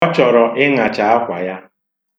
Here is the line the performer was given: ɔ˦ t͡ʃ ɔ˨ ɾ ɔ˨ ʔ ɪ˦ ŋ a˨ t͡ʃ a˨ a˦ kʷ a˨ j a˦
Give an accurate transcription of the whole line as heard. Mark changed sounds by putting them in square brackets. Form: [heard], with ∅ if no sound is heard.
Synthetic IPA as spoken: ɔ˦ t͡ʃ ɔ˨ ɾ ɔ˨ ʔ ɪ˦ ŋ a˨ t͡ʃ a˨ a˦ kʷ a˨ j a˦